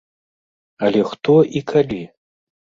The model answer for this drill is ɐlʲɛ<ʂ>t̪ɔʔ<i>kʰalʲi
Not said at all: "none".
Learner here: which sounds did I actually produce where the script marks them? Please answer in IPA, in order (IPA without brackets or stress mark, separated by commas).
x, i